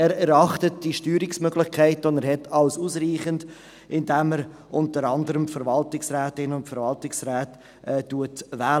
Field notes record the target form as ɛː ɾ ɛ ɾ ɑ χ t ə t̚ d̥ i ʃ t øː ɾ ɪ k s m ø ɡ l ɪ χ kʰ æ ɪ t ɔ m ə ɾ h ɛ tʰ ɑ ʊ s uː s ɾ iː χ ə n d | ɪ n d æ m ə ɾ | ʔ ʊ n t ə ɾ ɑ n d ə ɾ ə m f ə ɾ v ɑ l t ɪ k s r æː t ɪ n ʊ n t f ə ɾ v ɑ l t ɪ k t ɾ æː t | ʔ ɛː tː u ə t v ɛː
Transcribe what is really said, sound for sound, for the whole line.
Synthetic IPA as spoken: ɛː ɾ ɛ ɾ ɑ χ t ə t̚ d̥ i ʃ t yː ɾ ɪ k s m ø ɡ l ɪ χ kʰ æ ɪ t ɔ n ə ɾ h ɛ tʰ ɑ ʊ s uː s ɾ iː χ ə n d | ɪ n d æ m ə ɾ | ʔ ʊ n t ə ɾ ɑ n d ə ɾ ə m f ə ɾ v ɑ l t ɪ k s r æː t ɪ n ʊ n t f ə ɾ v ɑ l t ɪ k s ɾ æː t | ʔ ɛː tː u ə t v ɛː

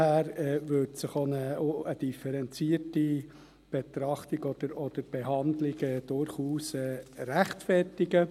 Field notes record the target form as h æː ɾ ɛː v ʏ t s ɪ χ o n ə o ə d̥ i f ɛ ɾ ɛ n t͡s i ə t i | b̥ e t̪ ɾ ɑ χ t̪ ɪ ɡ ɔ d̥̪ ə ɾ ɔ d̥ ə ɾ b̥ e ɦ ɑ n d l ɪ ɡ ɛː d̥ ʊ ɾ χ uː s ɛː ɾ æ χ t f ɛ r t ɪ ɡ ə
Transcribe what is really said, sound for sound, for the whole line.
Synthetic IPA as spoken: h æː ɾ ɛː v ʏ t s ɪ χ o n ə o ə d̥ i f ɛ ɾ ɛ n t͡s i ə t i | b̥ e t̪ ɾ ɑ χ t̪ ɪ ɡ ɔ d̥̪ ə ɾ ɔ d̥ ə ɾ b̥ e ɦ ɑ n d l ɪ ɡ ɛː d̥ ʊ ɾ χ uː s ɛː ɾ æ χ t f ɛ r t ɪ ɡ ə

